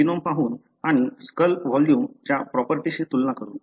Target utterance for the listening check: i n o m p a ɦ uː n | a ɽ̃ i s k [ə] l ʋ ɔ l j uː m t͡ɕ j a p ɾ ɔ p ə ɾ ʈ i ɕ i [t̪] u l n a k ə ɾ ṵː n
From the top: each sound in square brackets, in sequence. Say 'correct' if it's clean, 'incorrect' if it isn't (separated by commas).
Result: correct, correct